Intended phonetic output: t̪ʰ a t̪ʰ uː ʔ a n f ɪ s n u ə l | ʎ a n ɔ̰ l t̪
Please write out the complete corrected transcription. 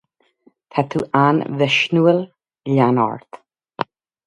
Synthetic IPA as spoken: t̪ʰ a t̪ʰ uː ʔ a n v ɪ ʃ n u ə l | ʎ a n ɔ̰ ɹ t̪